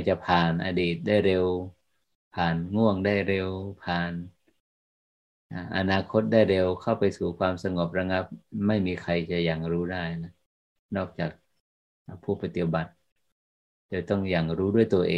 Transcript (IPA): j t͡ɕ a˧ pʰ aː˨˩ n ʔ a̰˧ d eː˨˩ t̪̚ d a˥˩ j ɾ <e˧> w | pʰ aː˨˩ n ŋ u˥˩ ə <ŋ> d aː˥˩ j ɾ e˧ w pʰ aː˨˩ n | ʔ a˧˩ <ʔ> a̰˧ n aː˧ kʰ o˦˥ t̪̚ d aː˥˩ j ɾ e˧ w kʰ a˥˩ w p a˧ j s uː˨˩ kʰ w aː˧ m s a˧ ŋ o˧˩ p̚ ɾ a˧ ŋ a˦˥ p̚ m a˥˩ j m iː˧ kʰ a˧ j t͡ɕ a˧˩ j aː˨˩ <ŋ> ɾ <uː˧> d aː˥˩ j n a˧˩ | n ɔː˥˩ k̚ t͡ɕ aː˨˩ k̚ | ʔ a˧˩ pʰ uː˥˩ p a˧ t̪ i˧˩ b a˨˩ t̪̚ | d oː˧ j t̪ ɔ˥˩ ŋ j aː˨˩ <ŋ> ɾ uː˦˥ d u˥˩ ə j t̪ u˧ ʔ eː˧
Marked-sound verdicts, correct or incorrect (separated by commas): correct, correct, correct, correct, incorrect, correct